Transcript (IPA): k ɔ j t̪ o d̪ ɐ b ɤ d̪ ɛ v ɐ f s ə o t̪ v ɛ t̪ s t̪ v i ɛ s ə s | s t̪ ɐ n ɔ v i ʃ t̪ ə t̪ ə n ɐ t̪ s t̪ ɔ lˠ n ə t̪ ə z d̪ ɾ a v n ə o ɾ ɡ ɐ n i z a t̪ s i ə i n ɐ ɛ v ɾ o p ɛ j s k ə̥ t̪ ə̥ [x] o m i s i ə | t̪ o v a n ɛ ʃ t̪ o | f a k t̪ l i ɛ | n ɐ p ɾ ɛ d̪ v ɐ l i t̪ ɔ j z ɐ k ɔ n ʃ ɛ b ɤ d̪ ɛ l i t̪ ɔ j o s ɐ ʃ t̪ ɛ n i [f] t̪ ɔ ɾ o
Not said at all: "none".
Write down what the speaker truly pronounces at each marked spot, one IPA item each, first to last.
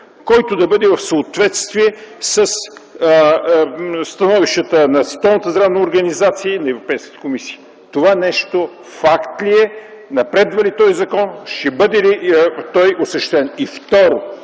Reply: k, f

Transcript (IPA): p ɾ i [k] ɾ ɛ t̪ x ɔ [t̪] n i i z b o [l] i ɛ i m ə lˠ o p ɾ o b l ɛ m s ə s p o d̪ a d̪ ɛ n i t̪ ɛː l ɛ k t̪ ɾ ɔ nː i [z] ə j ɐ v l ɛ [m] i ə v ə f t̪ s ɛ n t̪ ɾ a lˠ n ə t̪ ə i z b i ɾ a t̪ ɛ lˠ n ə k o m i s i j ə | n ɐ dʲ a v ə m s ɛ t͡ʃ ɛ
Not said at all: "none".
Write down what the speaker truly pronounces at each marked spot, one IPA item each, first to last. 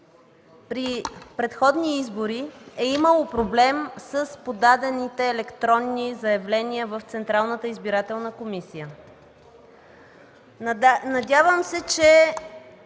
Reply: p, d̪, ɾ, z, n

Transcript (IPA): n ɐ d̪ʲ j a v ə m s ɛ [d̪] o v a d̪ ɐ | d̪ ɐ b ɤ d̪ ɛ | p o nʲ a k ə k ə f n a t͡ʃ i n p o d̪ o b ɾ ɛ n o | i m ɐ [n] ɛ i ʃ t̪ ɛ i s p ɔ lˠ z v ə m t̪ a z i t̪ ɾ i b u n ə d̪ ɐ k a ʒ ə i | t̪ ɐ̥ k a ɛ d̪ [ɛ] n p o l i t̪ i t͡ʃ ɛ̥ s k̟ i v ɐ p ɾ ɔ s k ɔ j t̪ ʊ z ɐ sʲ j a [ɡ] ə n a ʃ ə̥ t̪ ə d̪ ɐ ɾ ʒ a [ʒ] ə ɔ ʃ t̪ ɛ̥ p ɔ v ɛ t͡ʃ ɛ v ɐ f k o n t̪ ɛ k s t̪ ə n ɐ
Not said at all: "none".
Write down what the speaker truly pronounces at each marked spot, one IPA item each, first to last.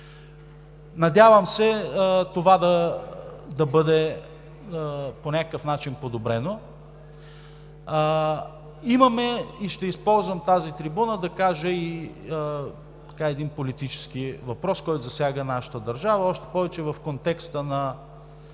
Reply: t̪, m, i, ɡ, v

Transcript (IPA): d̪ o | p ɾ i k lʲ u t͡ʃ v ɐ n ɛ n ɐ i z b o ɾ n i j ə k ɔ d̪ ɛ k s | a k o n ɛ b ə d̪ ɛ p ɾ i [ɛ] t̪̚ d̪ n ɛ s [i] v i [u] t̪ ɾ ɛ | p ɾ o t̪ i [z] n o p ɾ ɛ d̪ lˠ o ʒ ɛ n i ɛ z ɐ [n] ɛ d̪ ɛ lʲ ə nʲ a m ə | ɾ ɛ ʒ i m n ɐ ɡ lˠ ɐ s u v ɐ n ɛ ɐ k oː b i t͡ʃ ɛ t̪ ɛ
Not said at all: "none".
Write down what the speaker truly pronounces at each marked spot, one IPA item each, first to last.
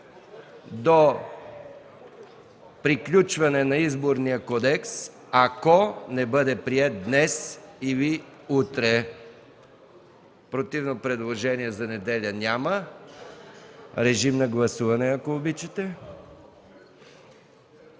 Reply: ɛ, i, u, v, n

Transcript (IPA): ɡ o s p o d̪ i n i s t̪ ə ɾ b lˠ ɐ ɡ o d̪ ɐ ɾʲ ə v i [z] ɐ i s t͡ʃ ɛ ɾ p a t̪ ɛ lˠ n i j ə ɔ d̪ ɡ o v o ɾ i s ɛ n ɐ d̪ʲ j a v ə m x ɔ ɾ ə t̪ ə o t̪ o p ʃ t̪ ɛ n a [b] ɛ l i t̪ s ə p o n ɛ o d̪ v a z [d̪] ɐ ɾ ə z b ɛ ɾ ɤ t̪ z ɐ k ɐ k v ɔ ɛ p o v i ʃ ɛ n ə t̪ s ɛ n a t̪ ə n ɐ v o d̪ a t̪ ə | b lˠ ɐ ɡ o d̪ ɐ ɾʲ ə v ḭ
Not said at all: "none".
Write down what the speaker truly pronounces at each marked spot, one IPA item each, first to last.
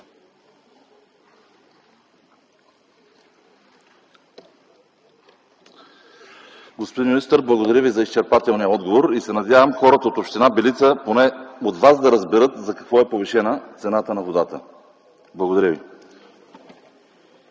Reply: z, b, d̪

